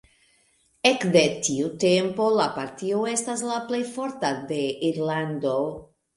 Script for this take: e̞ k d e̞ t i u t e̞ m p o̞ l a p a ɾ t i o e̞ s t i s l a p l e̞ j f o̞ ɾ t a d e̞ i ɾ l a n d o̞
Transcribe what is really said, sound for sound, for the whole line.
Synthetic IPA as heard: e̞ k d e̞ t i u t e̞ m p o̞ l a p a ɾ t i o e̞ s t a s l a p l e̞ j f o̞ ɾ t a d e̞ i ɾ l a n d o̞